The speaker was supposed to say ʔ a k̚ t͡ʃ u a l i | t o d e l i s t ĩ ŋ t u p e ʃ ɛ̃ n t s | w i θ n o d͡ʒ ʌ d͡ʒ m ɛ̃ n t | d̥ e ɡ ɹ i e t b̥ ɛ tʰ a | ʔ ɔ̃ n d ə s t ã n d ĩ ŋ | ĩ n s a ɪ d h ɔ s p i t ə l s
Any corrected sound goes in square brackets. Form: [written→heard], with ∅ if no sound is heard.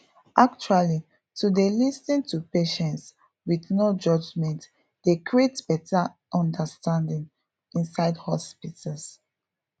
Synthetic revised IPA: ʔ a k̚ t͡ʃ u a l i | t [o→u] d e l i s t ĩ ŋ t u p e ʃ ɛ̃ n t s | w i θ n o d͡ʒ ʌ d͡ʒ m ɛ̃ n t | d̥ e [ɡ→k] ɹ i e t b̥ ɛ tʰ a | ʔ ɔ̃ n d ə s t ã n d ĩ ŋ | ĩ n s a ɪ d h ɔ s p i t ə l s